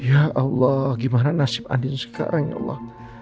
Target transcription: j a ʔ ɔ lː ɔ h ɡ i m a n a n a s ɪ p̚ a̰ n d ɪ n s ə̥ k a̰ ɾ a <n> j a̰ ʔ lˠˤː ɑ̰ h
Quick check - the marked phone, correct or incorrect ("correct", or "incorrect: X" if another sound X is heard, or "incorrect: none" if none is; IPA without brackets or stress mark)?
incorrect: ŋ